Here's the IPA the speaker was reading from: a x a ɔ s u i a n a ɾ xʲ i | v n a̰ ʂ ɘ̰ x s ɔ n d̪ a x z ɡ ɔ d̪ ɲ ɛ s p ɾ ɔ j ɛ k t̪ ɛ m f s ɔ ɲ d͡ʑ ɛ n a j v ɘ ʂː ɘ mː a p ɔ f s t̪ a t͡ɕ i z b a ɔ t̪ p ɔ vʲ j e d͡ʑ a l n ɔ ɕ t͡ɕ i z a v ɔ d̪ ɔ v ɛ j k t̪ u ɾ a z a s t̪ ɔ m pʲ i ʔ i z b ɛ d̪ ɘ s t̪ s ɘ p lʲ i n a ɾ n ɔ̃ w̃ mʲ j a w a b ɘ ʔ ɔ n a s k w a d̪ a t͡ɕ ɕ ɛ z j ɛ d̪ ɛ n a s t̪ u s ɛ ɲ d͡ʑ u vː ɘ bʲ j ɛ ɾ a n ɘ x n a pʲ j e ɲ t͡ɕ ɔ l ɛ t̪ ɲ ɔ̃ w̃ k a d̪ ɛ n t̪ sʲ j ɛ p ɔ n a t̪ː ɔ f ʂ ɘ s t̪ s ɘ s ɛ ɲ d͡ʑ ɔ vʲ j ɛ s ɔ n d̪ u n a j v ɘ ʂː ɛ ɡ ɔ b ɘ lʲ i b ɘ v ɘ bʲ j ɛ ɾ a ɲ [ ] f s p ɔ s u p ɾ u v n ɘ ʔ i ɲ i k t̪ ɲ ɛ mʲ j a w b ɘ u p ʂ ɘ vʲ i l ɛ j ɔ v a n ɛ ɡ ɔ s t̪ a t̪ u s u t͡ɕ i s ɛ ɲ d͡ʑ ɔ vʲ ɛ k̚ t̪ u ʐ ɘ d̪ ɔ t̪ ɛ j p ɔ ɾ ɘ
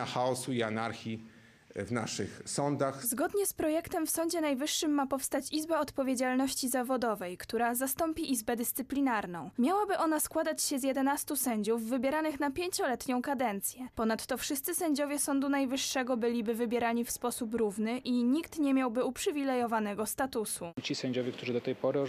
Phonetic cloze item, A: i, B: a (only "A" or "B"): A